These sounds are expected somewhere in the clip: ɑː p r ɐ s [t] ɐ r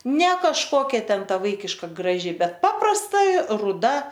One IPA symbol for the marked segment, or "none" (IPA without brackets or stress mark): t